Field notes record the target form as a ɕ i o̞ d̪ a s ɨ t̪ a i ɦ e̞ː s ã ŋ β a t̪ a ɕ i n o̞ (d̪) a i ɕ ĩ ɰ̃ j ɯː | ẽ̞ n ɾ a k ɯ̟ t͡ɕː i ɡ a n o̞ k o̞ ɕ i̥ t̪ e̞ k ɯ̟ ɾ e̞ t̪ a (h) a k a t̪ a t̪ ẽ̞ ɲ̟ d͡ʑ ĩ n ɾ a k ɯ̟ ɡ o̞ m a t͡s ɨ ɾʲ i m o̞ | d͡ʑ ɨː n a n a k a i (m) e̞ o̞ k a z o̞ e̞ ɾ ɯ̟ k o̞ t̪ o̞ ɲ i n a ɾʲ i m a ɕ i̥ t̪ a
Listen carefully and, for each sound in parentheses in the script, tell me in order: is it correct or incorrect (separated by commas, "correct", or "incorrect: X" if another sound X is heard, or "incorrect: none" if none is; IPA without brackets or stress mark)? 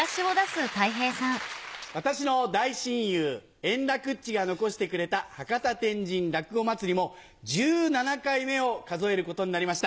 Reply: correct, correct, correct